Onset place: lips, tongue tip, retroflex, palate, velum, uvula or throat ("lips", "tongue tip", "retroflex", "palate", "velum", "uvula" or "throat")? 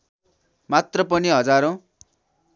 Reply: lips